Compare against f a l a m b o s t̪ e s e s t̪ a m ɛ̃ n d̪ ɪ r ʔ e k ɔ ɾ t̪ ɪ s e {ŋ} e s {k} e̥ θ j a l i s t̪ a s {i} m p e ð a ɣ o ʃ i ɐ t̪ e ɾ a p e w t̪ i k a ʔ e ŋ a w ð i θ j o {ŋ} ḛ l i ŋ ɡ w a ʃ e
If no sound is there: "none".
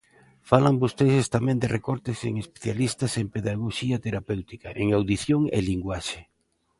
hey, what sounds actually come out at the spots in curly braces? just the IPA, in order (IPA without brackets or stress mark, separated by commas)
ŋ, p, e, ŋ